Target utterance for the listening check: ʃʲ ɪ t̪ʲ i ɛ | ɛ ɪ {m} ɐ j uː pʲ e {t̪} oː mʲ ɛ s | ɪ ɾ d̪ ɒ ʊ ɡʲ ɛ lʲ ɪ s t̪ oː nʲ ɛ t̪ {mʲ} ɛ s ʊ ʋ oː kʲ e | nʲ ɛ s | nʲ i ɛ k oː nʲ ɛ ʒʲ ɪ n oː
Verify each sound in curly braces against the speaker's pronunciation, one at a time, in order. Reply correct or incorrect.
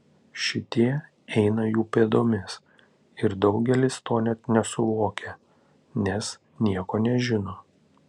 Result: incorrect: n, incorrect: d̪, incorrect: nʲ

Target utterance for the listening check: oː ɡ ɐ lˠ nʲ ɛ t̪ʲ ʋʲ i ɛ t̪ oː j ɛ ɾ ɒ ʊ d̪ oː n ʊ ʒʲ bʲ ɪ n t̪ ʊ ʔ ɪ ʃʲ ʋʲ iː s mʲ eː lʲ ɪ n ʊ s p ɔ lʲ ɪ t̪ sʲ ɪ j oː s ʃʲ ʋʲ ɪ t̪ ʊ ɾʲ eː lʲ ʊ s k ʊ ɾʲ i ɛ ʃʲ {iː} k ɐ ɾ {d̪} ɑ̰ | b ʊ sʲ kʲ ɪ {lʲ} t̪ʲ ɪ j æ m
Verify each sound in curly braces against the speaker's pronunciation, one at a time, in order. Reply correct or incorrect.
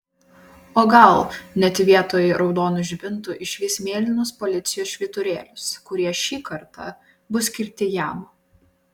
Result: correct, incorrect: t̪, incorrect: ɾʲ

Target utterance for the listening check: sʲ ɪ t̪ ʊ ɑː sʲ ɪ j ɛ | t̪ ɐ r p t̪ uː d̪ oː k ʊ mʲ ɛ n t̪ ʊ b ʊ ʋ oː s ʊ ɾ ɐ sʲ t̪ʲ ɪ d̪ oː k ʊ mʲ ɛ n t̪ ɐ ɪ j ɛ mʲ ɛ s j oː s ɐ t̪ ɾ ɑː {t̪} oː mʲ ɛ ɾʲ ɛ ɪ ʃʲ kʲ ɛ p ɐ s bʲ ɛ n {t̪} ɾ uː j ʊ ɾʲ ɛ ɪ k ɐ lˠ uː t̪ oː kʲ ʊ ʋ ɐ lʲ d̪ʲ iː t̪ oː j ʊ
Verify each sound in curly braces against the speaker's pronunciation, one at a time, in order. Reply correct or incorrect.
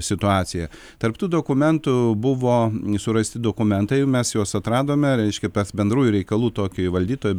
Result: incorrect: d̪, incorrect: d̪

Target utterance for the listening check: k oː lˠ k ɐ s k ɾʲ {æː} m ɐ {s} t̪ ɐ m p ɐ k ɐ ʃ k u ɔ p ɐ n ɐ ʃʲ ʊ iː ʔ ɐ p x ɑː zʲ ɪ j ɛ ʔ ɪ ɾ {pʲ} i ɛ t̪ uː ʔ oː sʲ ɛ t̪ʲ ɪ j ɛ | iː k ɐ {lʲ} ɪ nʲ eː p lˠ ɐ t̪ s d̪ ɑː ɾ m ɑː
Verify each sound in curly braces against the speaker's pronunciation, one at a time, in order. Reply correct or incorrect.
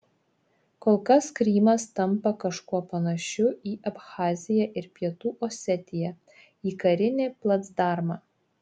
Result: incorrect: iː, correct, correct, incorrect: ɾʲ

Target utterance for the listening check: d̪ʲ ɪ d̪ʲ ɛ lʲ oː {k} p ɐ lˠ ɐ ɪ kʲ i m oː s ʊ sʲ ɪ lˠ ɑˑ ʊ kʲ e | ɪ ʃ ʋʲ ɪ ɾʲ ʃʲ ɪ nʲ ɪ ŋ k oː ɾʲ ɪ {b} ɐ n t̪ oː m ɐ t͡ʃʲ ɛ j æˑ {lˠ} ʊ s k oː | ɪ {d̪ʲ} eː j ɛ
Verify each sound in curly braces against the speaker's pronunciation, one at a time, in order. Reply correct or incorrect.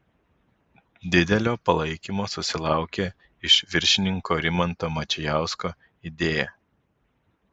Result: incorrect: none, incorrect: m, incorrect: none, correct

